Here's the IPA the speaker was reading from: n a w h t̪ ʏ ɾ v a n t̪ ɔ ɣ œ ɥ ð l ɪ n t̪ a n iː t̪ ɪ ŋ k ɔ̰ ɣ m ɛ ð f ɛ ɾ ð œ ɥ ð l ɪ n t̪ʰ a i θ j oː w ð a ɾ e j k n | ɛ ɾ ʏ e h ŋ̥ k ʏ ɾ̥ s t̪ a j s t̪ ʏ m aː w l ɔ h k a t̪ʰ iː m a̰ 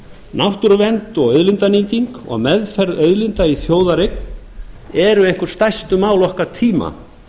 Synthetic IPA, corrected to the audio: n a w h t̪ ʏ ɾ v ɛ n t̪ ɔ ɣ œ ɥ ð l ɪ n t̪ a n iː t̪ i ŋ k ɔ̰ ɣ m ɛ ð f ɛ ɾ ð œ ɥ ð l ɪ n t̪ a i θ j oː w ð a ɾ e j k n | ɛ ɾ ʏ e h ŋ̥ k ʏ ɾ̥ s t̪ a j s t̪ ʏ m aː w l ɔ h k a t̪ʰ iː m a̰